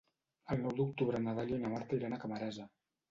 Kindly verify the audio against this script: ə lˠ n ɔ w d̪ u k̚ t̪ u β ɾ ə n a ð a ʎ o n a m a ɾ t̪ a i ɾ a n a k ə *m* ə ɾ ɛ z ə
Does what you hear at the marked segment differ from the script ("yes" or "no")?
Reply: no